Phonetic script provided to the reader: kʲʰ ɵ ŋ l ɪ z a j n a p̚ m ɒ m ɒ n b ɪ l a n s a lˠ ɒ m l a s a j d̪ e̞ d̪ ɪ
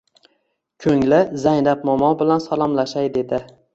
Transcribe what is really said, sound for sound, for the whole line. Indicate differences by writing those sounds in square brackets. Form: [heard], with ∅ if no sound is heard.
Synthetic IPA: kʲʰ ɵ ŋ l ɪ z a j n a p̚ m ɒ m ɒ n b ɪ l a n s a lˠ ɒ m l a [ʃ] a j d̪ e̞ d̪ ɪ